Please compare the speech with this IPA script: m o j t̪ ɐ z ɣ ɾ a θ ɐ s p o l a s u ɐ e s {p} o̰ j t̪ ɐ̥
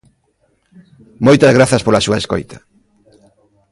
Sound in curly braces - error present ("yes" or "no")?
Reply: yes